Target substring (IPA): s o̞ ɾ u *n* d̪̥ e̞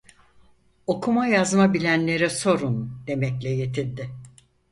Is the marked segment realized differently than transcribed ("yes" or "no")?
no